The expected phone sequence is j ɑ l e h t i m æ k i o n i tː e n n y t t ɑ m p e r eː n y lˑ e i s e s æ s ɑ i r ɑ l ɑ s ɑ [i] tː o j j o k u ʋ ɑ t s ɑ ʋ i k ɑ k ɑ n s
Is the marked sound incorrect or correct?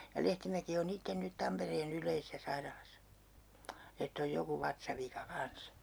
incorrect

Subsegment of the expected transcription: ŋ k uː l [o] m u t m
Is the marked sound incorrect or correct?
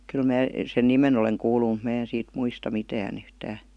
incorrect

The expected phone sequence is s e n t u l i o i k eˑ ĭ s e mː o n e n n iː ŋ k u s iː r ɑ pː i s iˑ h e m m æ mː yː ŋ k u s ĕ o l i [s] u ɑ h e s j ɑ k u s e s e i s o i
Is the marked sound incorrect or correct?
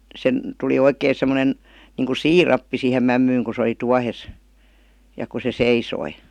incorrect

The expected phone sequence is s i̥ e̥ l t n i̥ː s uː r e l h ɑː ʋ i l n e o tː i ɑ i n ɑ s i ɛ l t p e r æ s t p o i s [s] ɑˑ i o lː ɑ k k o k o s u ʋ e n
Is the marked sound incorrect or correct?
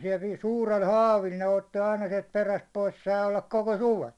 correct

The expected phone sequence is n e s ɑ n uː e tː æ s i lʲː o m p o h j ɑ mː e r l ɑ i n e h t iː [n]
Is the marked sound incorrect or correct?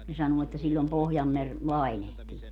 incorrect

